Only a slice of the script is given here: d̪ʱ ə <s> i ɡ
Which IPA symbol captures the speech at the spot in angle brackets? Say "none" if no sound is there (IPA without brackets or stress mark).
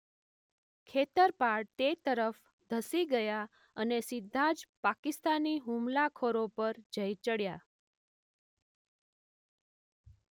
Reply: s